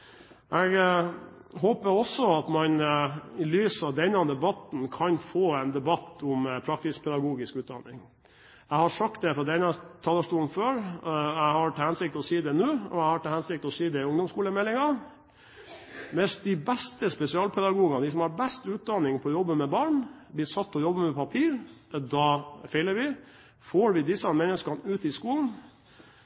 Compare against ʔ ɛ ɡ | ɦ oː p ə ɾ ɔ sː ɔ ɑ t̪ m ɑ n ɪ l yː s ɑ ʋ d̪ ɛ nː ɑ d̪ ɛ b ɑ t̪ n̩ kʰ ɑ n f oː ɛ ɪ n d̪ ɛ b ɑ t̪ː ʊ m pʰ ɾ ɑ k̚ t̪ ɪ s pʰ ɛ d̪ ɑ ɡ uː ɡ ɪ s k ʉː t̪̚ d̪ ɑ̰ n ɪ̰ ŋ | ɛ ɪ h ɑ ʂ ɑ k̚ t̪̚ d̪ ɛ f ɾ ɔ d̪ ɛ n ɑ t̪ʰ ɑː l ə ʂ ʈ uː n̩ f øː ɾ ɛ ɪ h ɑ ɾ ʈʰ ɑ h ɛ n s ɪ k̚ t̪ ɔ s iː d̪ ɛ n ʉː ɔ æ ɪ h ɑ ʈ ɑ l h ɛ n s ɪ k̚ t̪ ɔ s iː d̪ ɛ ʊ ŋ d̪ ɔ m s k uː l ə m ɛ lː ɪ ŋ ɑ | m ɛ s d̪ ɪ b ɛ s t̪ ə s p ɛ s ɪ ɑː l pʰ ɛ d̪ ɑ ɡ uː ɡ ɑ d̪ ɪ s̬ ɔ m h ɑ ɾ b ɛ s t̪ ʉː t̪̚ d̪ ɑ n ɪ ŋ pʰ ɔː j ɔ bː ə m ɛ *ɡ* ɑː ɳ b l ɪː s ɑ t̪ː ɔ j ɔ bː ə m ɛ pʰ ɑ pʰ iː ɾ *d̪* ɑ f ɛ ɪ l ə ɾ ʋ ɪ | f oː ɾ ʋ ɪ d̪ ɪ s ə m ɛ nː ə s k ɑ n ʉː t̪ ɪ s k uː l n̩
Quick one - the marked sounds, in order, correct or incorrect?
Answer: incorrect, correct

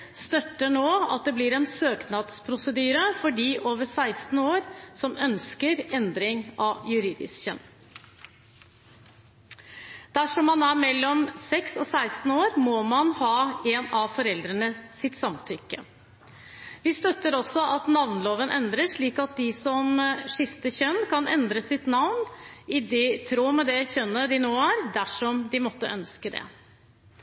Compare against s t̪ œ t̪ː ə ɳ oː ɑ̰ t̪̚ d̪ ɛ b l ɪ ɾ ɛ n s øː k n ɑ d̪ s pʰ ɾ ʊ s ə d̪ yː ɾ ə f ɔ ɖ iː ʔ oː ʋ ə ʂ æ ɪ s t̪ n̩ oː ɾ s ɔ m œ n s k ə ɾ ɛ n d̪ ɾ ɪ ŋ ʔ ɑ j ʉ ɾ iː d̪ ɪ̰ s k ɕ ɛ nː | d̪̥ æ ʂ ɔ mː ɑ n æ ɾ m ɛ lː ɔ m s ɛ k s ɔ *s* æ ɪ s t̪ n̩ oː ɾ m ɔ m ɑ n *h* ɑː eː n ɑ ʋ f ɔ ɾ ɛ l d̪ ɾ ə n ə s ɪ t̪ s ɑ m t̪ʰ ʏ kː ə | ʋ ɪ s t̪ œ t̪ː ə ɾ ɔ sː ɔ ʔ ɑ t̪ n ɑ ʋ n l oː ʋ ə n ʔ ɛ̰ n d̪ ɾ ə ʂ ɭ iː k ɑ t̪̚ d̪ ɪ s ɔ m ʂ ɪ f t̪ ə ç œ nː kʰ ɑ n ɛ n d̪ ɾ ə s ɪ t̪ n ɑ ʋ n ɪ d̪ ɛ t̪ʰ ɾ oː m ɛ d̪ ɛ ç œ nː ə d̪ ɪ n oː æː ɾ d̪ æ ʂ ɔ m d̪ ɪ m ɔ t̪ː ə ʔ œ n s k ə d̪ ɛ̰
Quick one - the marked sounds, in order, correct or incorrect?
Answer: correct, correct

